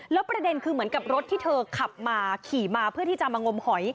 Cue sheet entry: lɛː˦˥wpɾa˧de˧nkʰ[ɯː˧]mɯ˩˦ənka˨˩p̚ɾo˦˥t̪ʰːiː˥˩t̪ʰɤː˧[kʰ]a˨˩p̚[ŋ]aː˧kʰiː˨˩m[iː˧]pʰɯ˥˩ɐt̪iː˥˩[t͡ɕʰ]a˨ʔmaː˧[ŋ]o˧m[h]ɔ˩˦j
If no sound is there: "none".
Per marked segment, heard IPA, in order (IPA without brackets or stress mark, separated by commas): ɯː˧, kʰ, m, aː˧, t͡ɕ, ŋ, h